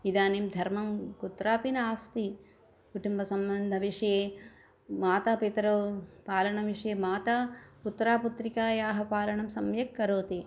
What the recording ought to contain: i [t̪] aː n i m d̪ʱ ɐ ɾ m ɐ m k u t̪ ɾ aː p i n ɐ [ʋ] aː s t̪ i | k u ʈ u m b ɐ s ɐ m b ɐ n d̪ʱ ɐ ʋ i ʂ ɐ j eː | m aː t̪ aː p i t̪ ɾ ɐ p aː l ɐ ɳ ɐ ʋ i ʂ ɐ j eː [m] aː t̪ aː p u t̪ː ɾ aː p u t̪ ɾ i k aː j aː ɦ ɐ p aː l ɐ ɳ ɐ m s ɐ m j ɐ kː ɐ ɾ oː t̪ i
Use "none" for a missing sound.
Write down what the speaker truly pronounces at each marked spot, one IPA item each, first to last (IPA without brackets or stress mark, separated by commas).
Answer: d̪, none, m